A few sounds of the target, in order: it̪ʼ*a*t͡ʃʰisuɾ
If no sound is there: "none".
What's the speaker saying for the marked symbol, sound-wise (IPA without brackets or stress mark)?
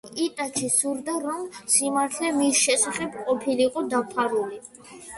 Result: a